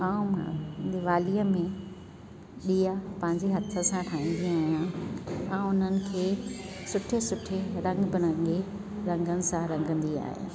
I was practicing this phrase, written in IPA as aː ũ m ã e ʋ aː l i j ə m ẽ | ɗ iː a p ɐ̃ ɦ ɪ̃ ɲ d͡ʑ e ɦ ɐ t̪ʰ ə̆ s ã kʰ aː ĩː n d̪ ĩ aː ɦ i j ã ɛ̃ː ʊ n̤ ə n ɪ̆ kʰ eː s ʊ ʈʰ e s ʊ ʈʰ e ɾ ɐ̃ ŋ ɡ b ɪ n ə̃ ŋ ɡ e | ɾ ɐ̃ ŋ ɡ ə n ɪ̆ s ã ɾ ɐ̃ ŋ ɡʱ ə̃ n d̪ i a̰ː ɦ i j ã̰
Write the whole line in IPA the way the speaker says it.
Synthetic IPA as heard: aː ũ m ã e ʋ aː l i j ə m ẽ | ɗ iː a p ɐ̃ ɦ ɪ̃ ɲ d͡ʑ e ɦ ɐ t̪ʰ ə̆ s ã ʈʰ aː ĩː n d̪ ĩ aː ɦ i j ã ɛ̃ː ʊ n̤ ə n ɪ̆ kʰ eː s ʊ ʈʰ e s ʊ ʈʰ e ɾ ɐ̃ ŋ ɡ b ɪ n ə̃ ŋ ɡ e | ɾ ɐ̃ ŋ ɡ ə n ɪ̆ s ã ɾ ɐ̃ ŋ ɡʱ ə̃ n d̪ i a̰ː ɦ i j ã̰